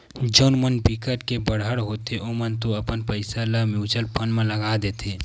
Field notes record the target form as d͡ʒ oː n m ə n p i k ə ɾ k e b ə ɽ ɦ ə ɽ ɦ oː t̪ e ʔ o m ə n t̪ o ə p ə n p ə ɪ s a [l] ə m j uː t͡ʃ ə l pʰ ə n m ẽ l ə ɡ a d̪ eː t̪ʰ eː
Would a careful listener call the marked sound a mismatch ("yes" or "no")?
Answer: no